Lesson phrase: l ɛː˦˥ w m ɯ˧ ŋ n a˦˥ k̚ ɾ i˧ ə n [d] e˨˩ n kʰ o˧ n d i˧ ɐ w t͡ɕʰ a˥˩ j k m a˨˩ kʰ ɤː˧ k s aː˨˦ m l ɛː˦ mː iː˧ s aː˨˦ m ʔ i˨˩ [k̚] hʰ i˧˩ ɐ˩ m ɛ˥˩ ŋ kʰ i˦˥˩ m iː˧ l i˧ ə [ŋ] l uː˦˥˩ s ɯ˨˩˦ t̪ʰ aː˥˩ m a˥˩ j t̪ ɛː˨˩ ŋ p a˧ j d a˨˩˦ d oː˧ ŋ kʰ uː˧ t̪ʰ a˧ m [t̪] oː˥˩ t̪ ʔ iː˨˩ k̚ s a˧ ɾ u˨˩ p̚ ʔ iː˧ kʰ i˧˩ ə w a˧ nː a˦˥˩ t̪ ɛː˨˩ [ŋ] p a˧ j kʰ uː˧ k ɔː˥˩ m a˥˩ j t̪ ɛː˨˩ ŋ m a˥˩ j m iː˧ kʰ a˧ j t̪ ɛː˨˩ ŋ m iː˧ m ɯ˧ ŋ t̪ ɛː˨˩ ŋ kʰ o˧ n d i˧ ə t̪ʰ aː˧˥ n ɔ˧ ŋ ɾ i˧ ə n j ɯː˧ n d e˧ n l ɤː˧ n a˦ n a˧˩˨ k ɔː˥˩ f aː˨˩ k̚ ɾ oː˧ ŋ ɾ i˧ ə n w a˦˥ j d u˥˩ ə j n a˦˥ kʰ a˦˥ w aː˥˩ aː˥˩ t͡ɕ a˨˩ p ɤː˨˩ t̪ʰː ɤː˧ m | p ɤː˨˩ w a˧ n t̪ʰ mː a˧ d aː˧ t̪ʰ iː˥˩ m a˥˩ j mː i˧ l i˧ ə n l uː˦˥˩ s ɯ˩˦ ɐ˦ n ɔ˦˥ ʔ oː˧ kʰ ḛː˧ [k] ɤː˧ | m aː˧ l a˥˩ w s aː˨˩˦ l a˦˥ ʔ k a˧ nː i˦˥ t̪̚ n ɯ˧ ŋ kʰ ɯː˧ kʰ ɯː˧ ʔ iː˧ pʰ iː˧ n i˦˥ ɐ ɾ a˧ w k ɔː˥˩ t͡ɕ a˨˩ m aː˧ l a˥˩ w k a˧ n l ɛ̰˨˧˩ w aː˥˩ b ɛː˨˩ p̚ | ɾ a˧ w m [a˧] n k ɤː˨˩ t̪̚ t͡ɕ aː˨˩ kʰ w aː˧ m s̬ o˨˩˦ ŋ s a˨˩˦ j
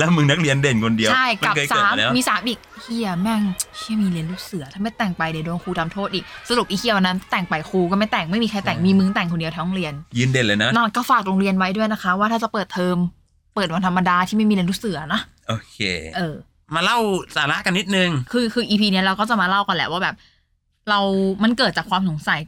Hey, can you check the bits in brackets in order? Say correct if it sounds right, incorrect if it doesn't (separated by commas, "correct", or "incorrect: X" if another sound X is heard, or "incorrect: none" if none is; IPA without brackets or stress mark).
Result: correct, correct, incorrect: n, incorrect: t̪ʰ, correct, incorrect: ʔ, correct